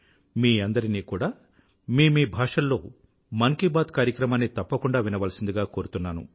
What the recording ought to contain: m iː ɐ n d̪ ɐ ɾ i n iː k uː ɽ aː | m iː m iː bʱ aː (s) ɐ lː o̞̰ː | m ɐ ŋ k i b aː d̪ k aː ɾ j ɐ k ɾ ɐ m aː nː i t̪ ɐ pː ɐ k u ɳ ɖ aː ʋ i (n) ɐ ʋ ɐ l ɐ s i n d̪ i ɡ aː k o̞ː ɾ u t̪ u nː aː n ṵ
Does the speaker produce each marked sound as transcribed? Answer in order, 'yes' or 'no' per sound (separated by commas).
no, yes